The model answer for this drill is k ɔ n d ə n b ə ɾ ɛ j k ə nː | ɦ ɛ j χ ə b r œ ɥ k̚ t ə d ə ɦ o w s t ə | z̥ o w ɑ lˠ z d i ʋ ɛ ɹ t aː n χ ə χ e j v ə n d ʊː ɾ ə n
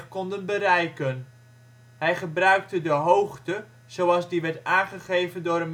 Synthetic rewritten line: k ɔ n d ə n b ə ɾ ɛ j k ə n | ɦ ɛ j χ ə b r œ ɥ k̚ t ə d ə ɦ o w χ t ə | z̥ o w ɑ lˠ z d i ʋ ɛ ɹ t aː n χ ə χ e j v ə n d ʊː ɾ ə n